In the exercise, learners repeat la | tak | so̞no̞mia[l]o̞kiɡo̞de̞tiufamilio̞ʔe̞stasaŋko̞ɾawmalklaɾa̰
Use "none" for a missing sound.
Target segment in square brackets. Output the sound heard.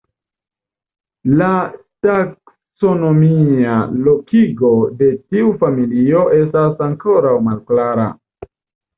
l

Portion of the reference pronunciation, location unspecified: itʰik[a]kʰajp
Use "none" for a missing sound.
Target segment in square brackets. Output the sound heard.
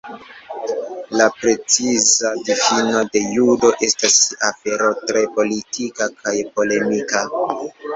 a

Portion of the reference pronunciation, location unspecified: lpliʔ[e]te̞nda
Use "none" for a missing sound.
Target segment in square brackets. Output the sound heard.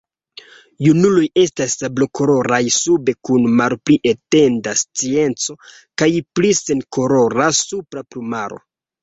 e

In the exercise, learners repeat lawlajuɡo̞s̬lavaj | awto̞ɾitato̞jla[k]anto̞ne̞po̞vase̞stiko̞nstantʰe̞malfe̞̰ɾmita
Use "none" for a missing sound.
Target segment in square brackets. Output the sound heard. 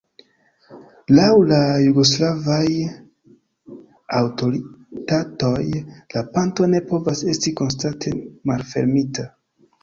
p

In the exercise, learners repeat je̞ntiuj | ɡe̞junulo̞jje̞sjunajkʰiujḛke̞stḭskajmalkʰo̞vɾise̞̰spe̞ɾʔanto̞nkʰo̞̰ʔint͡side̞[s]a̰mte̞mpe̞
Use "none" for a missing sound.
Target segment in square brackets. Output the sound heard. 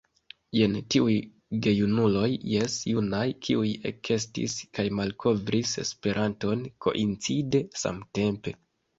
s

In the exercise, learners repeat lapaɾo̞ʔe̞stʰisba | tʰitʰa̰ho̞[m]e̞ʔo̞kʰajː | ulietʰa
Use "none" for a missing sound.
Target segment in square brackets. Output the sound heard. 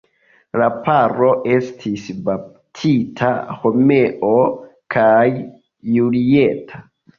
m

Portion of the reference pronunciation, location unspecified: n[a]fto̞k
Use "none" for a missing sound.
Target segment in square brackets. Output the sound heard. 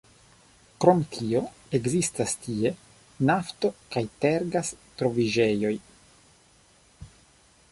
a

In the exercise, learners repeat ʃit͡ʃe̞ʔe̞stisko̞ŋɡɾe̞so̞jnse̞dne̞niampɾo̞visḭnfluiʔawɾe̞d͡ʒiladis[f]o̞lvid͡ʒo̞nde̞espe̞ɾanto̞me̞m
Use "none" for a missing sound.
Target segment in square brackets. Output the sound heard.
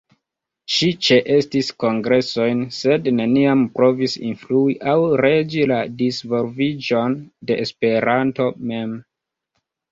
v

